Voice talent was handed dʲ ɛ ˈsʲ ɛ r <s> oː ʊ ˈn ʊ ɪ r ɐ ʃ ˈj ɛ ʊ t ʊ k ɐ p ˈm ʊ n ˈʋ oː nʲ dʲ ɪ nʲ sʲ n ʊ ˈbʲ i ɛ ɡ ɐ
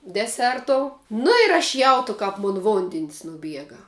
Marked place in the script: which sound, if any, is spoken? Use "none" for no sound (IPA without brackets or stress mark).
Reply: t